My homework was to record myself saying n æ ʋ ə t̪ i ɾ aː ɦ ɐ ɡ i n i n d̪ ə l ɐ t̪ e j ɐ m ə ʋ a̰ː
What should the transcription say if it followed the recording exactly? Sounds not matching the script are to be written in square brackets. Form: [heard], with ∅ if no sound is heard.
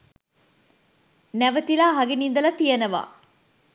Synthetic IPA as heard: n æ ʋ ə t̪ i [l] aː ɦ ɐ ɡ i n i n d̪ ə l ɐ t̪ [i] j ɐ [n] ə ʋ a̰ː